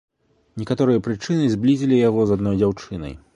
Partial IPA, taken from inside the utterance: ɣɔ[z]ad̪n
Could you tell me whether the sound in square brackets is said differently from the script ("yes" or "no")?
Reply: no